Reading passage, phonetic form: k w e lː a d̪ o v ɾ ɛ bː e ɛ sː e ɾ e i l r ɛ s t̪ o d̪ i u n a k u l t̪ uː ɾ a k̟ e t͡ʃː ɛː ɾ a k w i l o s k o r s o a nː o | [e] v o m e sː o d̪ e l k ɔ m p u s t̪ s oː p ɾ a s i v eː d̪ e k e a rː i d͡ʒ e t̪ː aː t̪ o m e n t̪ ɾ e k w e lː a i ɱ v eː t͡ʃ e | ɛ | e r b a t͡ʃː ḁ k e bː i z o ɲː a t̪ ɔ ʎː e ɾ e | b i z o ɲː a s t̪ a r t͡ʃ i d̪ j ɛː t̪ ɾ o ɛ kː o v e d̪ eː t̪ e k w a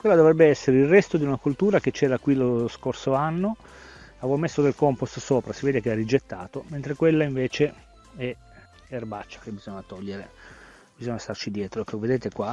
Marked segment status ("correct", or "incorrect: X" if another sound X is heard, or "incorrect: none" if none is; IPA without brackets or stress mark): incorrect: a